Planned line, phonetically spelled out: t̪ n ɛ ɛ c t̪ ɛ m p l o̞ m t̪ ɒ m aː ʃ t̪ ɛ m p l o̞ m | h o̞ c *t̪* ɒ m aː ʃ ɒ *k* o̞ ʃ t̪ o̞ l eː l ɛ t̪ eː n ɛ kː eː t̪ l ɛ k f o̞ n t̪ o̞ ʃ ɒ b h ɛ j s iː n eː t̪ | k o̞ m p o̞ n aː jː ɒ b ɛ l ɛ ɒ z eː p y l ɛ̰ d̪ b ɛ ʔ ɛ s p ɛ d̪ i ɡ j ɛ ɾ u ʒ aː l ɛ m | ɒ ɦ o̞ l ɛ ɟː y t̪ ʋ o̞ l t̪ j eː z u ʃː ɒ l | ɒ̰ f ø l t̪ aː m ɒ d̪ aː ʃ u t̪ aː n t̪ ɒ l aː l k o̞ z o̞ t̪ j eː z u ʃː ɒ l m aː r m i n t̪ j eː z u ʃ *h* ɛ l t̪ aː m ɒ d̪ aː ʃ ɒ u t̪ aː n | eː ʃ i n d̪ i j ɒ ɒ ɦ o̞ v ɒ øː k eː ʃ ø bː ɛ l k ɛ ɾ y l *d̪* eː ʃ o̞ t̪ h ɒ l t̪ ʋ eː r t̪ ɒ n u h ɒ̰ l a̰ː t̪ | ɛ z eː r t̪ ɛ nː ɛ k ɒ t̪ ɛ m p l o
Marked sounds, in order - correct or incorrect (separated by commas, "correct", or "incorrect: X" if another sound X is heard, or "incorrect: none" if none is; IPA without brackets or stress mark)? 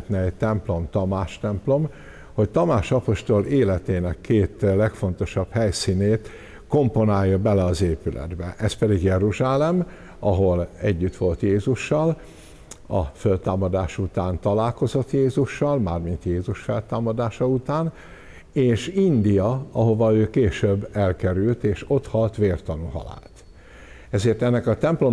correct, incorrect: p, incorrect: f, incorrect: t̪